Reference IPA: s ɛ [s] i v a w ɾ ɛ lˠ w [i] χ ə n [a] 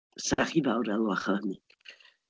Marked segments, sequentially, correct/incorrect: incorrect: χ, incorrect: a, incorrect: i

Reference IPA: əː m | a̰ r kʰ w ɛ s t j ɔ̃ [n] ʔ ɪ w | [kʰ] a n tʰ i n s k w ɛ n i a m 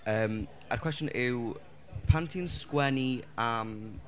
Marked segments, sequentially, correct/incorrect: correct, incorrect: pʰ

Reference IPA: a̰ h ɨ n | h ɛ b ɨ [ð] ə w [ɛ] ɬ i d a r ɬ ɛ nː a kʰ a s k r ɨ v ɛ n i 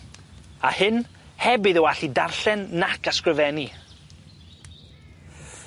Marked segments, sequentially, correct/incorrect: correct, incorrect: a

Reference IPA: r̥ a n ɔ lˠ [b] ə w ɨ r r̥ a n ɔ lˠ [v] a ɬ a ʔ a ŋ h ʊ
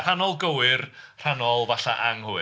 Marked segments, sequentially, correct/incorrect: incorrect: ɡ, correct

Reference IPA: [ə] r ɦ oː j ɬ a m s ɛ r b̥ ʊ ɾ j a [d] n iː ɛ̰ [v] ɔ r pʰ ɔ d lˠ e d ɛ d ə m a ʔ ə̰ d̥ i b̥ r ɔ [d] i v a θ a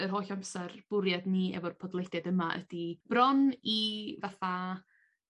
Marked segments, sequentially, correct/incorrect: correct, correct, correct, incorrect: n

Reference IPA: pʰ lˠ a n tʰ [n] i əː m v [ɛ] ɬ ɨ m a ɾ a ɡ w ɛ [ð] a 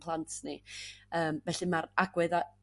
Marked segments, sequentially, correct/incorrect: correct, correct, correct

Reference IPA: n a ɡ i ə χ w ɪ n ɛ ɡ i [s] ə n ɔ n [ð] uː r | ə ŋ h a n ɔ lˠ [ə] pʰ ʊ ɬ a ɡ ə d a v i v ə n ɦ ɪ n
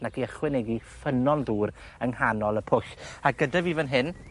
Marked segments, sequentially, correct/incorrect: incorrect: f, correct, correct

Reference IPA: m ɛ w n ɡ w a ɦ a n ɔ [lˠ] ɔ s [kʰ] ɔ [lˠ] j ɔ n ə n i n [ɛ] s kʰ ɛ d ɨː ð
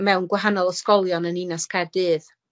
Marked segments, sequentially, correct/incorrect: correct, incorrect: k, correct, incorrect: a

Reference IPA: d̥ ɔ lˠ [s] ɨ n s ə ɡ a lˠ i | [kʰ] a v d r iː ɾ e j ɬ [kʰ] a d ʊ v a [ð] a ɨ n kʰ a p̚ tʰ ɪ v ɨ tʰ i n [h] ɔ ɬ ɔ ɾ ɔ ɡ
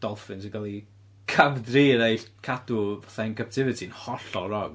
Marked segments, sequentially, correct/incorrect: incorrect: f, correct, correct, incorrect: θ, correct

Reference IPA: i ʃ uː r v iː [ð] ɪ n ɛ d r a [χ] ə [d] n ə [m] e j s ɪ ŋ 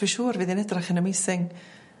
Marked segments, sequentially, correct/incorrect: correct, correct, incorrect: none, correct

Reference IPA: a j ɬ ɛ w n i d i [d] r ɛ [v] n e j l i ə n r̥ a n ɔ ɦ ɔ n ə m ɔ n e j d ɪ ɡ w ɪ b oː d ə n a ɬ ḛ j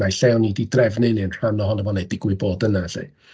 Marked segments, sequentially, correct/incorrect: correct, correct

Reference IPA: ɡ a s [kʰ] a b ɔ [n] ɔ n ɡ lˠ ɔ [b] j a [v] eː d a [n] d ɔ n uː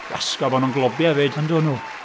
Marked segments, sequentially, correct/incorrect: incorrect: k, correct, correct, correct, correct

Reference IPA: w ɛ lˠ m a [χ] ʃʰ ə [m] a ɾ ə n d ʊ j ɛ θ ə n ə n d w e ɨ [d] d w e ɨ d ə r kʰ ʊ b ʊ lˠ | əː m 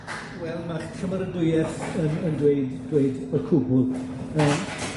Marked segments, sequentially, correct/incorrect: correct, correct, correct

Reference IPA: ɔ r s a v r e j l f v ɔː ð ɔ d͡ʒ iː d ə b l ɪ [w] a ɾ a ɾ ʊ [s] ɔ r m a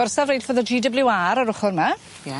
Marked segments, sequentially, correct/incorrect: correct, incorrect: χ

